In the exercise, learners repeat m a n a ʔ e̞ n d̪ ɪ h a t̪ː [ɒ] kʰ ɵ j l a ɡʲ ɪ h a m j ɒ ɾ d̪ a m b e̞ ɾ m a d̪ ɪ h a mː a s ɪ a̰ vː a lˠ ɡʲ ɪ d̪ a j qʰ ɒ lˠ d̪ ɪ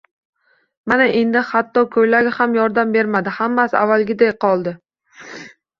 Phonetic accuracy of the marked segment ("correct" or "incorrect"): correct